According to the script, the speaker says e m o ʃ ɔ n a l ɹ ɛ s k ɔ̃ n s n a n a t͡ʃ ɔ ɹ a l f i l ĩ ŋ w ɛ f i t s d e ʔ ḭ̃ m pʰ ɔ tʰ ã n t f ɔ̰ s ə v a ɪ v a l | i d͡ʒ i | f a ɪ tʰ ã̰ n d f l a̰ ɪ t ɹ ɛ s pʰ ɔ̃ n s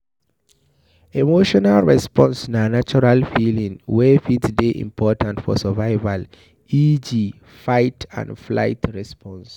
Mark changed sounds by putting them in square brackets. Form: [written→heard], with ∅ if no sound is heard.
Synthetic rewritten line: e m o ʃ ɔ n a l ɹ ɛ s [k→p] ɔ̃ n s n a n a t͡ʃ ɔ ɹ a l f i l ĩ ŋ w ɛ f i t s d e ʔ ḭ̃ m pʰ ɔ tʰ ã n t f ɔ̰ s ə v a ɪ v a l | i d͡ʒ i | f a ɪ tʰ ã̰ n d f l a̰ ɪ t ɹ ɛ s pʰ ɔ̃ n s